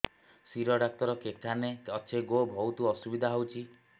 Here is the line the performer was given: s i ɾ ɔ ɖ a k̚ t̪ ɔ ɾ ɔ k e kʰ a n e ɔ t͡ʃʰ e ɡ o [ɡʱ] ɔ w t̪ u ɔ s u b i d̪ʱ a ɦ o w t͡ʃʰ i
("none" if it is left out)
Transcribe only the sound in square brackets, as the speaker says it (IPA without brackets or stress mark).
bʱ